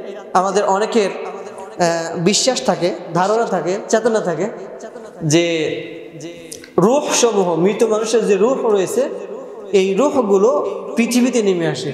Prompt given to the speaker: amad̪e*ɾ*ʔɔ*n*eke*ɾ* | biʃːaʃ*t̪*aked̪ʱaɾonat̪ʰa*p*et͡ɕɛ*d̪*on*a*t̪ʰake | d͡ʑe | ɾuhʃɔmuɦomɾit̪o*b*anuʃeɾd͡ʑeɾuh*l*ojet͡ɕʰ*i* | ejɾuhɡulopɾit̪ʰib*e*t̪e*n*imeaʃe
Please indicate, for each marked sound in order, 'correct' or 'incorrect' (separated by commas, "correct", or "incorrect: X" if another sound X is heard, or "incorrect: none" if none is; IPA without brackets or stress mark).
correct, correct, correct, incorrect: t̪ʰ, incorrect: k, incorrect: t̪, correct, incorrect: m, incorrect: ɾ, incorrect: e, incorrect: i, correct